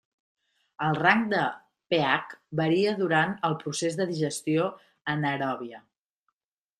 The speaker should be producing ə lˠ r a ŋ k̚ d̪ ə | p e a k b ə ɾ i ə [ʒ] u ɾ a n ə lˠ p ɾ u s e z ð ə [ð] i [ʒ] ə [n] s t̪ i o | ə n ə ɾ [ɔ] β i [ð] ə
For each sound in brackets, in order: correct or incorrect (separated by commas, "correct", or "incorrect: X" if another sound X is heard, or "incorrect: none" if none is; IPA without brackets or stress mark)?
incorrect: ð, correct, correct, incorrect: none, correct, incorrect: none